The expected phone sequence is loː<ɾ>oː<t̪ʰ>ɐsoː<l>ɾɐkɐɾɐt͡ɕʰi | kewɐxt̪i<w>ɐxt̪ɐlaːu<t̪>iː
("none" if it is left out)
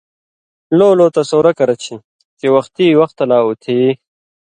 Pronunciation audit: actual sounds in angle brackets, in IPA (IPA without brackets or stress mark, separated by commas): l, t̪, none, w, t̪ʰ